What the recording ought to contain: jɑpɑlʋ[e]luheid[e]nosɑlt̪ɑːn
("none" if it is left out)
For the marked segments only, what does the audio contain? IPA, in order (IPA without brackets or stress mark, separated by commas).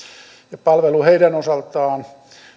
e, æ